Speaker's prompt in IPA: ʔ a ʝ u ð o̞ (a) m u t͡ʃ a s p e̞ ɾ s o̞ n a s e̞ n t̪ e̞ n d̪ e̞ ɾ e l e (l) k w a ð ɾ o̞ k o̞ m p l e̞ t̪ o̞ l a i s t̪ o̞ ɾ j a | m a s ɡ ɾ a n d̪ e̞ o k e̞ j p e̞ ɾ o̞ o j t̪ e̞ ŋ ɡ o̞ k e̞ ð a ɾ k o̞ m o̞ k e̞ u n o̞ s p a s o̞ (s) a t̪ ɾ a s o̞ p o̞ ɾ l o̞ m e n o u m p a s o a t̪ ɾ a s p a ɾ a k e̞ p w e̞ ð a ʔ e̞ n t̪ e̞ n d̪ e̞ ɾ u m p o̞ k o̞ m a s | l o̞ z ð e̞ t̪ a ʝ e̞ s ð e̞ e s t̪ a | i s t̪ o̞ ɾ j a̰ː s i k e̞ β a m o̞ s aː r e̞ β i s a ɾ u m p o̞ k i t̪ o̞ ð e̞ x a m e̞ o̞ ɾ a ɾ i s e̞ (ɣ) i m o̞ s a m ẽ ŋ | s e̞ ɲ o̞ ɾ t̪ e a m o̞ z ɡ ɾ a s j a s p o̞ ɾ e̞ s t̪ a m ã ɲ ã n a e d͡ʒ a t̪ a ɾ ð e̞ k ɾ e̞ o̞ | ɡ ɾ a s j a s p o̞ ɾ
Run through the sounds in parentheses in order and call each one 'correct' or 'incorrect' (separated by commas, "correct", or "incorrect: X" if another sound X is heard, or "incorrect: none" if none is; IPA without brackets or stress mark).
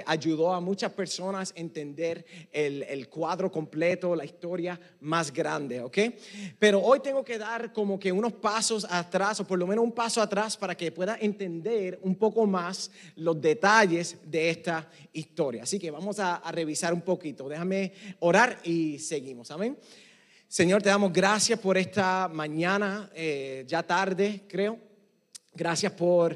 correct, correct, correct, correct